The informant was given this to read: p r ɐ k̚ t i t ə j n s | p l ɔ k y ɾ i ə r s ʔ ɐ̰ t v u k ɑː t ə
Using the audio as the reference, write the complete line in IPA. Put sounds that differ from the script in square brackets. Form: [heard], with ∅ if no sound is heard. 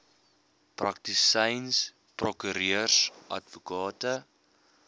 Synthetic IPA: p r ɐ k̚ t i [s] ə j n s | p [r] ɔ k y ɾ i ə r s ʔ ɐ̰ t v u k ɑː t ə